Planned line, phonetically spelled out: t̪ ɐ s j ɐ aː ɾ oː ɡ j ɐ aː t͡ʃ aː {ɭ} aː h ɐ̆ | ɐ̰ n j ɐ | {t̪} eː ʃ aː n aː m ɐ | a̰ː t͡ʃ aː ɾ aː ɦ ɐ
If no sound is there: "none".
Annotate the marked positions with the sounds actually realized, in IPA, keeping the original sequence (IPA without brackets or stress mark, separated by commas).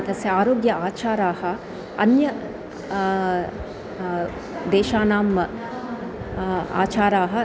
ɾ, d̪